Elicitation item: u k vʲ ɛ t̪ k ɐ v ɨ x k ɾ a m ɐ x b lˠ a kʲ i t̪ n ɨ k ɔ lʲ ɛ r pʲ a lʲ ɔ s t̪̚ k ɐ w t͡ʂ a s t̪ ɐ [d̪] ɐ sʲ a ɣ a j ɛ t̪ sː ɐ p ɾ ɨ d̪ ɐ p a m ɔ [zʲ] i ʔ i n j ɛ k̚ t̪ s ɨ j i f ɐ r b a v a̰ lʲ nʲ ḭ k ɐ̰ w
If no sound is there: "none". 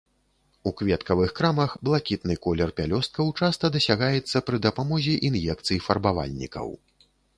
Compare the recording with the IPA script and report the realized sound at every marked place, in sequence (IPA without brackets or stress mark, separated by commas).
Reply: d̪, zʲ